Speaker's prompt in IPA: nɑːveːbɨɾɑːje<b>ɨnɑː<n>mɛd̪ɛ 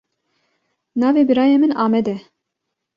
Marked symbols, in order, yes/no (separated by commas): no, no